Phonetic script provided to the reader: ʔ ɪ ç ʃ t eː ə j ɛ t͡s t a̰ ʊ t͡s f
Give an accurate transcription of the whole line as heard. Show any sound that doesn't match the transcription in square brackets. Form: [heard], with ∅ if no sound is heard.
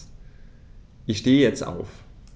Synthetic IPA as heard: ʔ ɪ ç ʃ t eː ə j ɛ t͡s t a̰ ʊ [∅] f